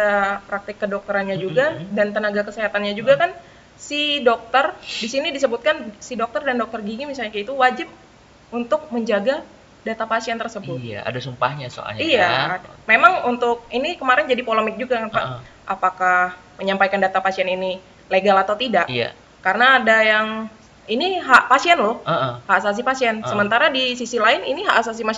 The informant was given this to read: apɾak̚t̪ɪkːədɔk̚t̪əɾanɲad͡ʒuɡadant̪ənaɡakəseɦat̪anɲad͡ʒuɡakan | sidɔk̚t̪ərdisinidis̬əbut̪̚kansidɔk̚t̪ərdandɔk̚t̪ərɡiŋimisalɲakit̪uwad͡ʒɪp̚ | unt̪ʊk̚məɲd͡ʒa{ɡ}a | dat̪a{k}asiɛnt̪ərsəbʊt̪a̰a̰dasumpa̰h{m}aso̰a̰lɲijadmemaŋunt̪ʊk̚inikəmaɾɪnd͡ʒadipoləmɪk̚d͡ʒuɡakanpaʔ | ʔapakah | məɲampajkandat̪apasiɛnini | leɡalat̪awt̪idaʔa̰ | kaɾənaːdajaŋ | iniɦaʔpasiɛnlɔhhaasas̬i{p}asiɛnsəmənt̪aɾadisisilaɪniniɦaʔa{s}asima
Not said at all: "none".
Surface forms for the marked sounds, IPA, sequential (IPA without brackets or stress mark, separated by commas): ɡ, p, ɲ, p, s